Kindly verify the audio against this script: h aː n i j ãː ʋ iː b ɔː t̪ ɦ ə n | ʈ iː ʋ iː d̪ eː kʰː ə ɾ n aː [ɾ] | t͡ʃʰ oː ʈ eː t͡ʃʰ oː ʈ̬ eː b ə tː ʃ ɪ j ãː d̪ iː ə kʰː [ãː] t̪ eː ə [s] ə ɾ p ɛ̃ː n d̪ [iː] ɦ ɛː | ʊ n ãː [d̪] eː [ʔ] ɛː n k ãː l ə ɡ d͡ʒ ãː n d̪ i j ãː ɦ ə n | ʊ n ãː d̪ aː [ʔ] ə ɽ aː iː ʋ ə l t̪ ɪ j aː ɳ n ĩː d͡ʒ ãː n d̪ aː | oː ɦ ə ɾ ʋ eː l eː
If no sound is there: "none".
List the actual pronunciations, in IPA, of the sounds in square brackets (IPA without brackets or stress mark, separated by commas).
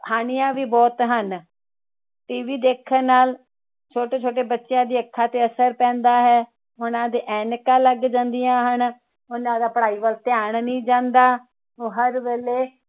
l, aː, s, aː, d̪, ʔ, p